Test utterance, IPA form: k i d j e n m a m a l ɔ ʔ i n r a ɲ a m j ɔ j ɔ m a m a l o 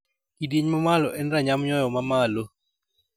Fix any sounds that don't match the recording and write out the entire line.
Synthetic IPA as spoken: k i d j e ɲ m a m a l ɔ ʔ ɛ n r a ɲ a m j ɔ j ɔ m a m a l o